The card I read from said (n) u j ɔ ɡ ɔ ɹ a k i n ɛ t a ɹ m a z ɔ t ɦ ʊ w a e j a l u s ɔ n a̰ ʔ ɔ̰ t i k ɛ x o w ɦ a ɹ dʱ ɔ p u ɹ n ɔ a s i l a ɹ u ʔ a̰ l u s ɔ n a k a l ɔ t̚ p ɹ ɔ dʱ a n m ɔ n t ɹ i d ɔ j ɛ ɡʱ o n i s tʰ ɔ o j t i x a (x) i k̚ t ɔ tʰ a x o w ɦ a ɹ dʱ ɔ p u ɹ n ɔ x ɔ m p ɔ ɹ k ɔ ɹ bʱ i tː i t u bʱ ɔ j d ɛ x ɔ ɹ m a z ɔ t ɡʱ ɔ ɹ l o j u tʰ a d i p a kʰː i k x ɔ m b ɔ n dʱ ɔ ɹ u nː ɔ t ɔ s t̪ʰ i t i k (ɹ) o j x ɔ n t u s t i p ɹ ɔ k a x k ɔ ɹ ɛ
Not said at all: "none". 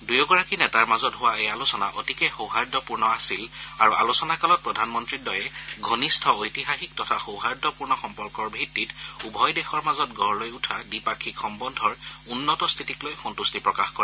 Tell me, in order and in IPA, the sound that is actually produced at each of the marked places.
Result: d, x, l

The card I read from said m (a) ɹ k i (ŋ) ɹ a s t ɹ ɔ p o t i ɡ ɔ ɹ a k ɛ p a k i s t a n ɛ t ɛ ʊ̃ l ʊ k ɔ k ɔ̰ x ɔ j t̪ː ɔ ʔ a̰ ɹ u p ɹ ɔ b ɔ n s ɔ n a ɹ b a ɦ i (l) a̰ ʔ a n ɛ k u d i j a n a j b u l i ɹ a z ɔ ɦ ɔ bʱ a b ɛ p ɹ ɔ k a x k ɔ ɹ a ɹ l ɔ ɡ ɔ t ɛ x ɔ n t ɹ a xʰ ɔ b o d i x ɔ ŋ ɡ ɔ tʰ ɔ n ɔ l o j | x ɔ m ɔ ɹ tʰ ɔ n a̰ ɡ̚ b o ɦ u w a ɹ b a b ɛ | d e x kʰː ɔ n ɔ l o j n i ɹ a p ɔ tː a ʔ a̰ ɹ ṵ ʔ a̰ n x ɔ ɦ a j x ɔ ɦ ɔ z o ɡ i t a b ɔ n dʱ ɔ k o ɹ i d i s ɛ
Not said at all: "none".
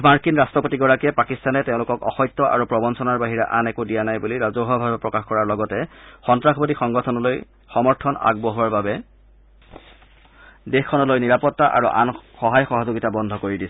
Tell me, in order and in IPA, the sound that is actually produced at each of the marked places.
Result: a, n, ɹ

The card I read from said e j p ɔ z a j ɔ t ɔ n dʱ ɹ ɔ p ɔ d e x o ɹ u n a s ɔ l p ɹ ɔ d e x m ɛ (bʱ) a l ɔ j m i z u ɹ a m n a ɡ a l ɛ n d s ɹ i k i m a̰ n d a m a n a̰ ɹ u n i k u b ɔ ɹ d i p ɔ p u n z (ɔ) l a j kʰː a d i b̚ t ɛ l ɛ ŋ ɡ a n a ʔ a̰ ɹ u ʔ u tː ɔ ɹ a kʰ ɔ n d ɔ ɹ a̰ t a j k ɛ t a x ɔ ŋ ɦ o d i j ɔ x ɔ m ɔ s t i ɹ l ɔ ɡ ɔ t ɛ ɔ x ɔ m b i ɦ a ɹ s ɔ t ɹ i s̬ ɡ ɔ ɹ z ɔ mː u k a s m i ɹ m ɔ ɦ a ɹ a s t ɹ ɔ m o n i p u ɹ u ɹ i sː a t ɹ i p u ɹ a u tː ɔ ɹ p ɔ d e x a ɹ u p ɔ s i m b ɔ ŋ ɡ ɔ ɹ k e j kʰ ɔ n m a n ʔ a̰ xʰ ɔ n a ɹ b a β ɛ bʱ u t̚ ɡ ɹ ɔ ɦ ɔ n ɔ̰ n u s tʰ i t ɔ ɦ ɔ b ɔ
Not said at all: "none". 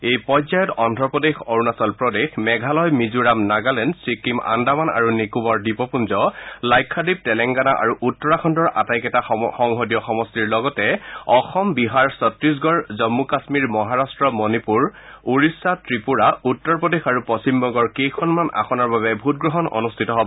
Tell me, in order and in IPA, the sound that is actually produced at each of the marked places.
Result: ɡʱ, ɔ

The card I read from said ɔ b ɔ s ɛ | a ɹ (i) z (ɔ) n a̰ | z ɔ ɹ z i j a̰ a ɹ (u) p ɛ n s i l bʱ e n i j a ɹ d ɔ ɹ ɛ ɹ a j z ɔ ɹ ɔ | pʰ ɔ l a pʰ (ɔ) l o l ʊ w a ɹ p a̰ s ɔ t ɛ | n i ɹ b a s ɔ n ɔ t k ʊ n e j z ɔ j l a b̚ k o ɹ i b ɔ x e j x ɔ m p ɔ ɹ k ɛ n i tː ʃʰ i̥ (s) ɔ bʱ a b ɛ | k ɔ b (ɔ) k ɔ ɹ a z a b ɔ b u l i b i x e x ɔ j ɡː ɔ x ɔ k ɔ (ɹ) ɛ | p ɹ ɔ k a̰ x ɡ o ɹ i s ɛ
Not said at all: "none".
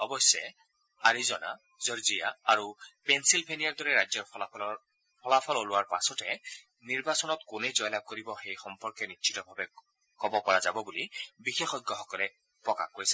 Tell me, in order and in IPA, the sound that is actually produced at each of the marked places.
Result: i, ɔ, u, ɔ, t, ɔ, l

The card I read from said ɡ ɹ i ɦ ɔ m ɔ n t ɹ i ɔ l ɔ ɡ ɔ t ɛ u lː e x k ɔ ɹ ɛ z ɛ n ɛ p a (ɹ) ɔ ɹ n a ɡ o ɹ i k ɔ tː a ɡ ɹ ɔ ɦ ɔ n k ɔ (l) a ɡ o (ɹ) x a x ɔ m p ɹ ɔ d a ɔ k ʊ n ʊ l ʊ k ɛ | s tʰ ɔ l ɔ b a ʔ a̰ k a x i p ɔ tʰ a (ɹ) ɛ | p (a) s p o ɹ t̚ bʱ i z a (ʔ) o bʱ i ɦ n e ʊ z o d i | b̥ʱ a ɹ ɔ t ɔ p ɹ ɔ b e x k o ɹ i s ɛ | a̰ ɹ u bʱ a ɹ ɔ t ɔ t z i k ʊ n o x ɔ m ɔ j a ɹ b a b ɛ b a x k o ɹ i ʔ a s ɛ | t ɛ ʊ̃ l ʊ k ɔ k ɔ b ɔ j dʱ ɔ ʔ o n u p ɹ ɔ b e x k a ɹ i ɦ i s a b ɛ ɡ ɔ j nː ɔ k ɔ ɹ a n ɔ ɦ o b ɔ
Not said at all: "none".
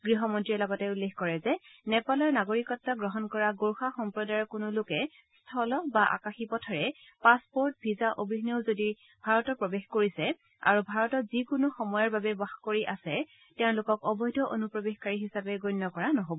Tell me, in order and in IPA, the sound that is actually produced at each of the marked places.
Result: l, ɹ, ɹ, ɹ, a, ʔ

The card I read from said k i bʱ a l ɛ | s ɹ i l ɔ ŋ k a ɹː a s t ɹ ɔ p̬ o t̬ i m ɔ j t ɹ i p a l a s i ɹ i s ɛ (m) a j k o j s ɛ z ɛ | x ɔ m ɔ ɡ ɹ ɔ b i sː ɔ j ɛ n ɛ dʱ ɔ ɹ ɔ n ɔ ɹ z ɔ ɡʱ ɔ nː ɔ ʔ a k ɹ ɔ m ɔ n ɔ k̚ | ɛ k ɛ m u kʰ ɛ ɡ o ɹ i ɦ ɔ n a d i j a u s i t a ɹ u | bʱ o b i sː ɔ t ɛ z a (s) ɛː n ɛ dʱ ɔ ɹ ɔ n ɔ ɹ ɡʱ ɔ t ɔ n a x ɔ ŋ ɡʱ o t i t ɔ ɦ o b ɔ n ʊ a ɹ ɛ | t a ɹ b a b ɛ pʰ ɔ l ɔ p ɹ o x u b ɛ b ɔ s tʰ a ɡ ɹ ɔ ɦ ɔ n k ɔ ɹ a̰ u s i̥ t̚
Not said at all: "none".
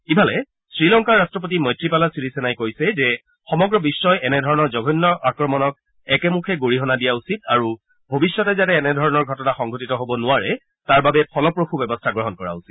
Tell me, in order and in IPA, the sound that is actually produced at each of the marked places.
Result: n, t

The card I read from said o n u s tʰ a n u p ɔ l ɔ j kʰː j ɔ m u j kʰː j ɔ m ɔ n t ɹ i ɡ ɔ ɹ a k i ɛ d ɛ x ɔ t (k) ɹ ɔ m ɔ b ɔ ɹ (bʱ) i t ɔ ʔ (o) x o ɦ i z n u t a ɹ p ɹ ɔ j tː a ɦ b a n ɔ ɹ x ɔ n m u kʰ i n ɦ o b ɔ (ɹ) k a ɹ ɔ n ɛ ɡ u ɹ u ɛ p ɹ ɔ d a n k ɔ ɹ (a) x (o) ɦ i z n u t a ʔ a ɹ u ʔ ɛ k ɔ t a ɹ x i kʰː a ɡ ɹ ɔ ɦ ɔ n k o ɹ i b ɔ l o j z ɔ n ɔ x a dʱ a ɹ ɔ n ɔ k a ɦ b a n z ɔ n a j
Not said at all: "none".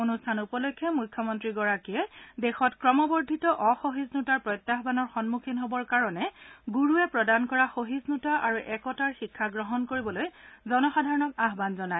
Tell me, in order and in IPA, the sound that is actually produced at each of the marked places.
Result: k, dʱ, ɔ, ɹ, a, o

